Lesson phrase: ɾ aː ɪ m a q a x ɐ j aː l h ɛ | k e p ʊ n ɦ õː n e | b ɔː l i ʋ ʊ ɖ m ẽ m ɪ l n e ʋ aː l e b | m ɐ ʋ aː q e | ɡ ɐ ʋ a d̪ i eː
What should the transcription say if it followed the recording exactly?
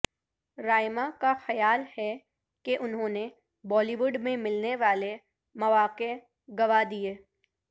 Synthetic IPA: ɾ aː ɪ m a k a x ɐ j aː l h ɛ | k e ʔ ʊ n ɦ õː n e | b ɔː l i ʋ ʊ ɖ m ẽ m ɪ l n e ʋ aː l e | m ɐ ʋ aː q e | ɡ ɐ ʋ a d̪ i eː